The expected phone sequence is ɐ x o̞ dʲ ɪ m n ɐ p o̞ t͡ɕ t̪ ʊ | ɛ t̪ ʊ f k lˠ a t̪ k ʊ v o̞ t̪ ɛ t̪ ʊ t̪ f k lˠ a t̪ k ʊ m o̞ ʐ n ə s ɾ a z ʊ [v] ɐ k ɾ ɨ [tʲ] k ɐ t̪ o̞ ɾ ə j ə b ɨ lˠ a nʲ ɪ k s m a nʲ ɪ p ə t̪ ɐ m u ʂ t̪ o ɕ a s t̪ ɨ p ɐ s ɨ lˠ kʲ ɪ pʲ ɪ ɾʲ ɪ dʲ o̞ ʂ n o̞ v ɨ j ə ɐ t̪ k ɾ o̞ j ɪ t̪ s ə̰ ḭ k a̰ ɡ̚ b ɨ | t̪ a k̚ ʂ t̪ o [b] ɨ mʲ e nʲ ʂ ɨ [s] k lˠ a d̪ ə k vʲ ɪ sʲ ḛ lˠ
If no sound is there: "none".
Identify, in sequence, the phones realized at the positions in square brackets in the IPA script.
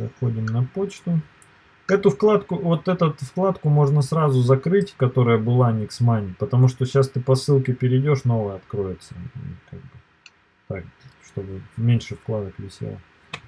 z, tʲ, b, f

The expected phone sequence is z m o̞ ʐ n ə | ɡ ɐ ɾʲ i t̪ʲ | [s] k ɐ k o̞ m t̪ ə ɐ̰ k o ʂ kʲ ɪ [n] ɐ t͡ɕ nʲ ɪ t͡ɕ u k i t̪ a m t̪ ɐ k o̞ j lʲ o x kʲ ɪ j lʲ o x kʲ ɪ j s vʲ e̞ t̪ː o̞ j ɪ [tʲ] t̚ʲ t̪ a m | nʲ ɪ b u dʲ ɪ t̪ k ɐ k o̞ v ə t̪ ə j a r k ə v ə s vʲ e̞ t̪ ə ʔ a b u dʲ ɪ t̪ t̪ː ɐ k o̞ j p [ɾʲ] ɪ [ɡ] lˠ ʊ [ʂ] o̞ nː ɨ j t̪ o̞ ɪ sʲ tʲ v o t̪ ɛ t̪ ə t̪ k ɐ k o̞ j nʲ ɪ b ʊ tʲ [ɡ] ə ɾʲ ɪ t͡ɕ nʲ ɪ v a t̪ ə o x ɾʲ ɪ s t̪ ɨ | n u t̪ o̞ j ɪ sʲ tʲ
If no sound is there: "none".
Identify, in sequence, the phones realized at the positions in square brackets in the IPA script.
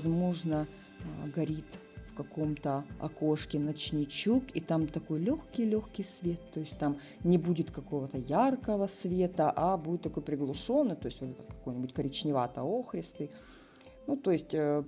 f, n, sʲ, ɾʲ, ɡ, ʂ, k

